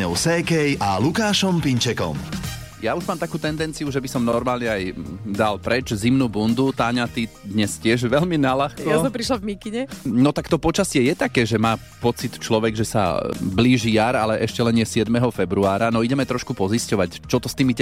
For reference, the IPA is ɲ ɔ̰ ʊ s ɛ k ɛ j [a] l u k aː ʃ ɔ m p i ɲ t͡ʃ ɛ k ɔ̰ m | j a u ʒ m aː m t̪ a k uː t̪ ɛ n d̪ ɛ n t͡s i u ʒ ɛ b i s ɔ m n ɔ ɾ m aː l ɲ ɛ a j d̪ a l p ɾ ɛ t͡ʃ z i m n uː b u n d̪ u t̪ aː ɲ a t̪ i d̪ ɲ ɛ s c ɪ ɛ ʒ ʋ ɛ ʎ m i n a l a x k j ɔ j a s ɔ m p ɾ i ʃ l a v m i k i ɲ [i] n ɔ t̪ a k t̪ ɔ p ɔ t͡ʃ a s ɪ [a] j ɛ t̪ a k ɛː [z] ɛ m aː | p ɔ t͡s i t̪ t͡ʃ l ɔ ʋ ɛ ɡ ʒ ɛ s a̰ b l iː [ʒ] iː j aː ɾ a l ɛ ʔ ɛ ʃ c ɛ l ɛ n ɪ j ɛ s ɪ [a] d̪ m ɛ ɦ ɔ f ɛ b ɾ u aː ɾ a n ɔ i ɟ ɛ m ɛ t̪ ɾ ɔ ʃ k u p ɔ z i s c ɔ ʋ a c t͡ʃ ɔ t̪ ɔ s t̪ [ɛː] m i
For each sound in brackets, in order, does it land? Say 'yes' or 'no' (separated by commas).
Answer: yes, no, no, no, yes, no, no